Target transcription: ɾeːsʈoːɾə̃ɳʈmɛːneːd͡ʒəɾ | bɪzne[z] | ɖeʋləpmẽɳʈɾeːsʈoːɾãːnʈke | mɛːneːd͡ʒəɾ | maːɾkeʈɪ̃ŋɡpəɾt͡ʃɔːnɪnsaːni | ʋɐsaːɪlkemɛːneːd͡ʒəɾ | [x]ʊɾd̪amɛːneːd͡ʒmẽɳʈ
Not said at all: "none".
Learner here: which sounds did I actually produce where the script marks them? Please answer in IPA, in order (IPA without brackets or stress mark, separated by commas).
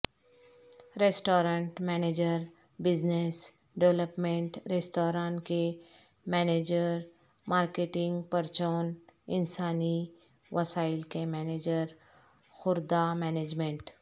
s, x